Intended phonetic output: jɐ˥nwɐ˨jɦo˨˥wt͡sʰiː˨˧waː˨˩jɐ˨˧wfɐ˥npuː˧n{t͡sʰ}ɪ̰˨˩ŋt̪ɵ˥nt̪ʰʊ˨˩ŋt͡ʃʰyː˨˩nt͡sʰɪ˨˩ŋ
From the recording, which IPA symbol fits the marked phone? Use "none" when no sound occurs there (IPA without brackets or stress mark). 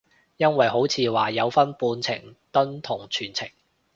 t͡sʰ